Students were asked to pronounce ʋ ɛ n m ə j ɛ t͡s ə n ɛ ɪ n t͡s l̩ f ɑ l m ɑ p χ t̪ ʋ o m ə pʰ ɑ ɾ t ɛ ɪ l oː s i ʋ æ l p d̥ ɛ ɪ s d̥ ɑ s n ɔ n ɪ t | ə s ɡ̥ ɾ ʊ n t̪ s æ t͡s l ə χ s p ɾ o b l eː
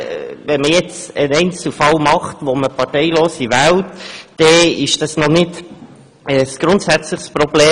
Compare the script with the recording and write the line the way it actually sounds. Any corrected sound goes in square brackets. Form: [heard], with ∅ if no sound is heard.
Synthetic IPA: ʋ ɛ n m ə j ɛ t͡s ə n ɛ ɪ n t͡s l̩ f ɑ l m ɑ [∅] χ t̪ ʋ o m ə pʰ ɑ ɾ t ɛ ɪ l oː s i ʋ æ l [t] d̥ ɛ ɪ [ʃ] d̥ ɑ s n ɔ n ɪ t | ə s ɡ̥ ɾ ʊ n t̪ s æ t͡s l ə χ s p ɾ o b l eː